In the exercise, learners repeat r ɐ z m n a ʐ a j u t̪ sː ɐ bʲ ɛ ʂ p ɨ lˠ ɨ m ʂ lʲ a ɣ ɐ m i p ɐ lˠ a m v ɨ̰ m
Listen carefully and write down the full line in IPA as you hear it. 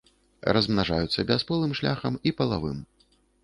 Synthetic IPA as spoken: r ɐ z m n a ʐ a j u t̪ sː ɐ bʲ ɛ s p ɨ lˠ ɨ m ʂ lʲ a x ɐ m i p ɐ lˠ a v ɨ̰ m